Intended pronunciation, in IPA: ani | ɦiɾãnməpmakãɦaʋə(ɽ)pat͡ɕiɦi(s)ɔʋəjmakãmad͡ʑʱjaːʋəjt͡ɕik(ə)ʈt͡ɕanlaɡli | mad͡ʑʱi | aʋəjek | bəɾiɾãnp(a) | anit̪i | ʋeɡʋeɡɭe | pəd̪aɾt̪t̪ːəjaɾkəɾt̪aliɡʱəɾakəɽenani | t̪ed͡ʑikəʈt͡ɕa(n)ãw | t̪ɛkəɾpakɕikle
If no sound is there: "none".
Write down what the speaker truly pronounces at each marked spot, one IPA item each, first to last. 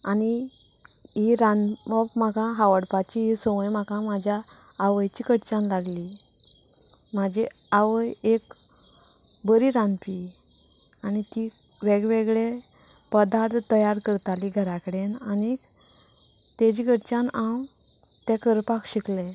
ɽ, s, ə, i, n

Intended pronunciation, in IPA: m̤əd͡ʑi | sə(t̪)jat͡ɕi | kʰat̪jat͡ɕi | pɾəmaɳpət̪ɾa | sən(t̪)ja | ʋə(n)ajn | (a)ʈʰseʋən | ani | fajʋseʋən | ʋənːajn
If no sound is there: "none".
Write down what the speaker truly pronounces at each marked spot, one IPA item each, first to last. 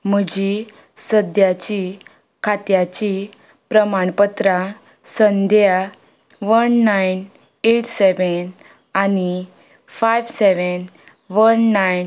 d̪, d̪, nː, e

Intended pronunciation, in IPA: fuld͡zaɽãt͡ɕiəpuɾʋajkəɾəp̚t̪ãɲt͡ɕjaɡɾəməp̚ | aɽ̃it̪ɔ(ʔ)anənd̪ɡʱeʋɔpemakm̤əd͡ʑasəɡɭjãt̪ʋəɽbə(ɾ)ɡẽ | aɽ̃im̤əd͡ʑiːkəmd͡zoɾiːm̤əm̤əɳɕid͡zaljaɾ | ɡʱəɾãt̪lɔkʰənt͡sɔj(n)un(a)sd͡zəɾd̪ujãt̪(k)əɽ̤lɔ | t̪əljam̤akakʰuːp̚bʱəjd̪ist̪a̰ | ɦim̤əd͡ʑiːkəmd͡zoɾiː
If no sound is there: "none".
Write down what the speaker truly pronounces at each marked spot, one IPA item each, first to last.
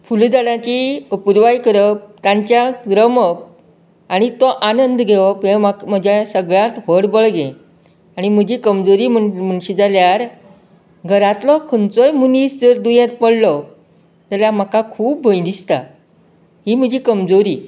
ʔ, ɭ, m, i, p

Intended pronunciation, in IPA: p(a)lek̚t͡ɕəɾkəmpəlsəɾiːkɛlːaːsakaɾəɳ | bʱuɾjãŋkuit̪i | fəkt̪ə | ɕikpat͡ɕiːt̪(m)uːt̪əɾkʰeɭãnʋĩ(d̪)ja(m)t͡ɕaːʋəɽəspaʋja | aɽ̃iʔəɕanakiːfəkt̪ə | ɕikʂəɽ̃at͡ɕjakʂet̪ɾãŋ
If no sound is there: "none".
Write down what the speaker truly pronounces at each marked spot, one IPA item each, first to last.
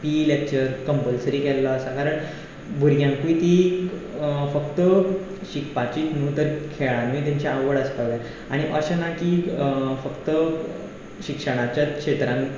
i, n, t̪, ɲ

